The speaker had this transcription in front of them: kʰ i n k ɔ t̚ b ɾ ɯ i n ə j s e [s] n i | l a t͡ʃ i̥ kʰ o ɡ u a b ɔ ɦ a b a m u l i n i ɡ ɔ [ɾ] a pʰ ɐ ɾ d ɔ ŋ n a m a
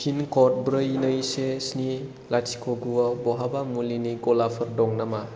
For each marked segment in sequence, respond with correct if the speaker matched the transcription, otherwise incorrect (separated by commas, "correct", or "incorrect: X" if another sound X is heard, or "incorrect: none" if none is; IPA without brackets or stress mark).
correct, incorrect: l